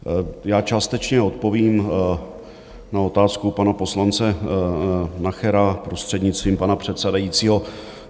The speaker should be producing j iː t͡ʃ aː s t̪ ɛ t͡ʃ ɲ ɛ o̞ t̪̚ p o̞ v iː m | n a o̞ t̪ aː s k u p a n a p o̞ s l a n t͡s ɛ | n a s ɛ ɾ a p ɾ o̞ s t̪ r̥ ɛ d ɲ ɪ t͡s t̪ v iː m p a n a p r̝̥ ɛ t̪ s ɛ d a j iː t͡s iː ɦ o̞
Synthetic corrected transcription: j aː t͡ʃ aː s t̪ ɛ t͡ʃ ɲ ɛ o̞ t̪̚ p o̞ v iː m | n a o̞ t̪ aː s k u p a n a p o̞ s l a n t͡s ɛ | n a x ɛ ɾ a p ɾ o̞ s t̪ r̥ ɛ d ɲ ɪ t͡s t̪ v iː m p a n a p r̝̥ ɛ t̪ s ɛ d a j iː t͡s iː ɦ o̞